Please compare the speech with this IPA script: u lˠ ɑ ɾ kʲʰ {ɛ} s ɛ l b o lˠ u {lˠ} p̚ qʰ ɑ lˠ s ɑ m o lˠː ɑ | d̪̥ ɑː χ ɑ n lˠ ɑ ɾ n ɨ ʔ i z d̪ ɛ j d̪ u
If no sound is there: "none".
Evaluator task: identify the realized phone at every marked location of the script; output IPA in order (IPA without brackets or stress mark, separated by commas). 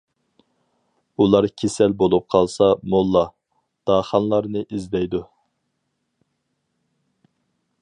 e, none